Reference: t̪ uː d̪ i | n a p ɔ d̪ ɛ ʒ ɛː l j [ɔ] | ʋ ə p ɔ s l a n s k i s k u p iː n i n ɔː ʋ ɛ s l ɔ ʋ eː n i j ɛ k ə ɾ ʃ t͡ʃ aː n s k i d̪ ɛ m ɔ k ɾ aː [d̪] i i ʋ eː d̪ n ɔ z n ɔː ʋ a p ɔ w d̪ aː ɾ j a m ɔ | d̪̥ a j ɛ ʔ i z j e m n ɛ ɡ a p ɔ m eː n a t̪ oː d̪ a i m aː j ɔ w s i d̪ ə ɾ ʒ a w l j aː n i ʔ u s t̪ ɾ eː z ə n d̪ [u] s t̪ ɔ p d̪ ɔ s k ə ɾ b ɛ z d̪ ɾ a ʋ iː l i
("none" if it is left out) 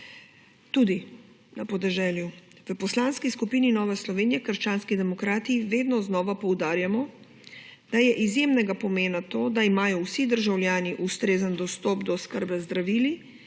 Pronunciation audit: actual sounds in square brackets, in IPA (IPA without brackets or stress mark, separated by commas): u, t̪, ɔ